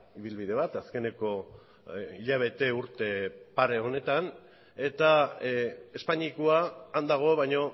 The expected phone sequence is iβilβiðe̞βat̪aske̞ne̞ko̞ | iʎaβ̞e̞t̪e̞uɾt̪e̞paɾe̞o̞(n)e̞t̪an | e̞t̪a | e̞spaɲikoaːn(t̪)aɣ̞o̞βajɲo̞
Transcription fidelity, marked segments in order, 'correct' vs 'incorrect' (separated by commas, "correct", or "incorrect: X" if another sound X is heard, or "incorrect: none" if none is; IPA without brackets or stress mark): correct, incorrect: d̪